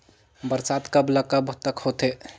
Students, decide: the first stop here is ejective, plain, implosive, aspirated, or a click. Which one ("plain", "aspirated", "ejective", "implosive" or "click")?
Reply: plain